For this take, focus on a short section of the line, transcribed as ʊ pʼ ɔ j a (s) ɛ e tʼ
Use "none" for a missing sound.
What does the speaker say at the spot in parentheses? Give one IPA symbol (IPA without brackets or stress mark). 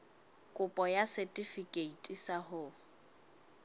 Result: s